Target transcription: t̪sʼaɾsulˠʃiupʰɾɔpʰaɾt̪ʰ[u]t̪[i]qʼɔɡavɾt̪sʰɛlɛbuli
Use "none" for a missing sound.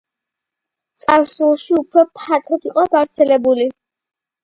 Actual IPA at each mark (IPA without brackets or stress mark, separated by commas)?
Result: ɔ, i